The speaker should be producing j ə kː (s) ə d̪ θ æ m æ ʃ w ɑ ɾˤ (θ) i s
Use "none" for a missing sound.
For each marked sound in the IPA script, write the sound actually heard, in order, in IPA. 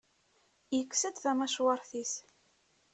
s, θ

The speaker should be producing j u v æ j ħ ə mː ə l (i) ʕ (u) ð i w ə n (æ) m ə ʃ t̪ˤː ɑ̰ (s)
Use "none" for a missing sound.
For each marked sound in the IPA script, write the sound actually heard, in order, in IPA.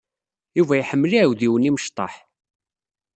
i, w, i, ħ

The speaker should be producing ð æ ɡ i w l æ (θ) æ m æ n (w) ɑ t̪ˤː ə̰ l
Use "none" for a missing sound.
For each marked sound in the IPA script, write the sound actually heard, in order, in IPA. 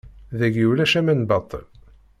ʃ, b

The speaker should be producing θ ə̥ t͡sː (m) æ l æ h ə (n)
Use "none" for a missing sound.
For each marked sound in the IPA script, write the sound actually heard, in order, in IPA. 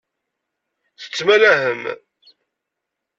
m, m

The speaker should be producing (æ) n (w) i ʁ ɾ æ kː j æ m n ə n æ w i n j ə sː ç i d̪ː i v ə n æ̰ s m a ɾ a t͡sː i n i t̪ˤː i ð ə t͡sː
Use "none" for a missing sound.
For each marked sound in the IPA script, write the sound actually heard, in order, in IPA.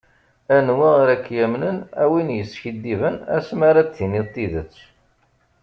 æ, w

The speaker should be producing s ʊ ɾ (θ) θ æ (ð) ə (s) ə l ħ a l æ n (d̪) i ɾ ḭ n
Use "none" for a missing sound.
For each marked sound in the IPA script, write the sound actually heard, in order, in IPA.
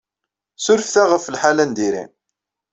f, ʁ, f, d̪

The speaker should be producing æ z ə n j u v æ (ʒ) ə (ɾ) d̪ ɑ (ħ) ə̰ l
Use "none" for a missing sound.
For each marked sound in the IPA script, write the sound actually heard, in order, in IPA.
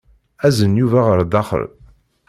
ʁ, ɾ, χ

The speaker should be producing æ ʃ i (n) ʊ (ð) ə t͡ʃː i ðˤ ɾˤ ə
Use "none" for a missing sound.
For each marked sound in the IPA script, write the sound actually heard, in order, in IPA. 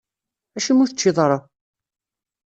m, θ

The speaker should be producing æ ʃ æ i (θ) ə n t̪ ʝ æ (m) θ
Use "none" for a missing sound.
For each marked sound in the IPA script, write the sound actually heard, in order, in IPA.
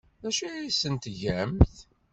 s, m

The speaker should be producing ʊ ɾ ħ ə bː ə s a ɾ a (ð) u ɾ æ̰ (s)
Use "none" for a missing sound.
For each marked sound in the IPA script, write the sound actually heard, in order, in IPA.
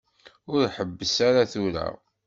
θ, none

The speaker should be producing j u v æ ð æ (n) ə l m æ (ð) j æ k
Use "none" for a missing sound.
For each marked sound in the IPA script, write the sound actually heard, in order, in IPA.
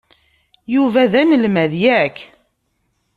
n, ð

